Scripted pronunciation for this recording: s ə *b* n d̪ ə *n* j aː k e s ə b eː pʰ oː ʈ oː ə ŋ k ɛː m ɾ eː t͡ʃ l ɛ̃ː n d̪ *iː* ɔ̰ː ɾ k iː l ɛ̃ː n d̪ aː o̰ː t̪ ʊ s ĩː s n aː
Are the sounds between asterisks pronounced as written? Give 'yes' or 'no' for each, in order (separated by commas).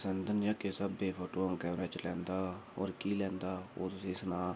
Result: no, yes, no